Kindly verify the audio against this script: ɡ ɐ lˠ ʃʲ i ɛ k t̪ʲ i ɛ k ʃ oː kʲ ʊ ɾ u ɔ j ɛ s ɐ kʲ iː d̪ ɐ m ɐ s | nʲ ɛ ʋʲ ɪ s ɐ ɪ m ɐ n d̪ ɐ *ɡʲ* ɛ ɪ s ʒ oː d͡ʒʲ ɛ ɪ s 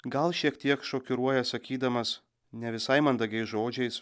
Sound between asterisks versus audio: correct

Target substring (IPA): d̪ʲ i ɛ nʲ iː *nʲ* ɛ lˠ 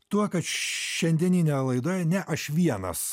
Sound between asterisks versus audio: correct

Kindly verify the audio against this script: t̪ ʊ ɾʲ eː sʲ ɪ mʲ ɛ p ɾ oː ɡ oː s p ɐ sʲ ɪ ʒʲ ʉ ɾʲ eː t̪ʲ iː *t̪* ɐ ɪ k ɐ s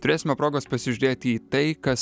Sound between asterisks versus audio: correct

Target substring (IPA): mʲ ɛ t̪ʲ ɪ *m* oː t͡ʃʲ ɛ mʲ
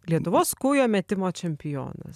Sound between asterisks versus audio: correct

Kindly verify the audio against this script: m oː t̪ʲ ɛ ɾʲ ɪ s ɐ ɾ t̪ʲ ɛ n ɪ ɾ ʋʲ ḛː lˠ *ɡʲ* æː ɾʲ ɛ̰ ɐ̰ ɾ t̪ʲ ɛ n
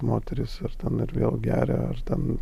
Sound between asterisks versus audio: correct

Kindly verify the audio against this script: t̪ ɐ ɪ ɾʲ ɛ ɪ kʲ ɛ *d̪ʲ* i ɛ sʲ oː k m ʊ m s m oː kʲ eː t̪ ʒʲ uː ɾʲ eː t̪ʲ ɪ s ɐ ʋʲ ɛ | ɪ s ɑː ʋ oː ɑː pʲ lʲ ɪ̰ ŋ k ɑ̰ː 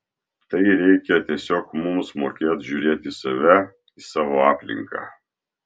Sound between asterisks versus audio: incorrect: t̪ʲ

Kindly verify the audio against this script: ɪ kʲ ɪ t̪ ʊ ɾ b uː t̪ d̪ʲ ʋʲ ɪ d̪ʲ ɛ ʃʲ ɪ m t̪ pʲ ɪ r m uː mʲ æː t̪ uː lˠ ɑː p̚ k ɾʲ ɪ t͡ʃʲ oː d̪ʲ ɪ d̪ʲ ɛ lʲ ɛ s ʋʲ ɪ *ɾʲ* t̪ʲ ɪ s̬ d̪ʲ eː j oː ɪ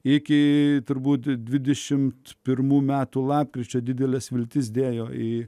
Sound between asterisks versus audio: incorrect: lʲ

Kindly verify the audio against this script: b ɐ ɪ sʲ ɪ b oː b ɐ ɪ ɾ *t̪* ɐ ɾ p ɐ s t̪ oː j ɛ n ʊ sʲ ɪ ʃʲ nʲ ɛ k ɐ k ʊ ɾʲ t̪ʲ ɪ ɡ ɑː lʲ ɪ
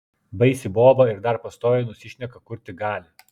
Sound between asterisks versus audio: incorrect: d̪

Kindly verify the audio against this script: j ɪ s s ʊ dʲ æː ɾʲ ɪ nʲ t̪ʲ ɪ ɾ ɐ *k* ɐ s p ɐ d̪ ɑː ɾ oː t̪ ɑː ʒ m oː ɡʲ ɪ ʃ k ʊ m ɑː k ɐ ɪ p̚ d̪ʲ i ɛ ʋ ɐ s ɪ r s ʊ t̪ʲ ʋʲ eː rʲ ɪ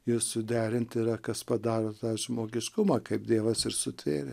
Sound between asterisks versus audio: correct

